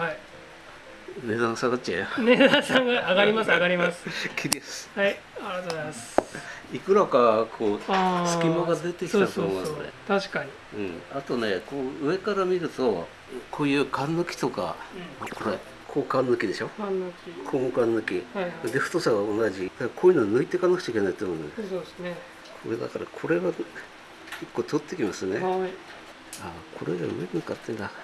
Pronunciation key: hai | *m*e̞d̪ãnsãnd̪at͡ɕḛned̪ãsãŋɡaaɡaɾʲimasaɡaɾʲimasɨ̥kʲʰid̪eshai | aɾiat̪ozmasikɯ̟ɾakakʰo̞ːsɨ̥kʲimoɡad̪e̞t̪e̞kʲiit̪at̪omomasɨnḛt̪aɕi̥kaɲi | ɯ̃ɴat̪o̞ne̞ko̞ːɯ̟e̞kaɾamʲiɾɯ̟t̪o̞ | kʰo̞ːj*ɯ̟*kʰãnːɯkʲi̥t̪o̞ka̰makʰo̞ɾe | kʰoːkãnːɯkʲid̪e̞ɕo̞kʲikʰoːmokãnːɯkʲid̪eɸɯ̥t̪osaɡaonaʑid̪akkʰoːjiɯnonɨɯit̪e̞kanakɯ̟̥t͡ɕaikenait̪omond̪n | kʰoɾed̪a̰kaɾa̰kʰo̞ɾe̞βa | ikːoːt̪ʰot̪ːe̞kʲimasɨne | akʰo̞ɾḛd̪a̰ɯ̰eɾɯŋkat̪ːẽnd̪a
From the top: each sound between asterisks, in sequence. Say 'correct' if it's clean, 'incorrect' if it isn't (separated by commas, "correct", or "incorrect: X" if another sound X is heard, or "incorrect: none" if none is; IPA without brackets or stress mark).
incorrect: n, incorrect: ɯ̟ː